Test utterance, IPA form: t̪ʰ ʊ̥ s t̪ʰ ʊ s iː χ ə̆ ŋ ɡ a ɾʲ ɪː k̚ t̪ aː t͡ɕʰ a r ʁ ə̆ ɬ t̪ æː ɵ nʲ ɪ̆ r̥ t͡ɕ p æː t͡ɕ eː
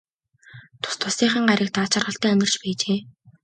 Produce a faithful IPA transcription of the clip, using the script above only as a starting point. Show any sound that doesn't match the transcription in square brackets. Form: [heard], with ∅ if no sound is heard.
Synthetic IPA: t̪ʰ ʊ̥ s t̪ʰ ʊ s iː χ ə̆ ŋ [ɢ] a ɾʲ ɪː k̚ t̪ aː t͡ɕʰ a r ʁ ə̆ ɬ t̪ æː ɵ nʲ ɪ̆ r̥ t͡ɕ p æː t͡ɕ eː